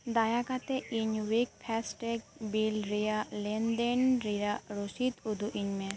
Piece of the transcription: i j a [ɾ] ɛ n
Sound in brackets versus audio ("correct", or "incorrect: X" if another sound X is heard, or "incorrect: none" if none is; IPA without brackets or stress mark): incorrect: l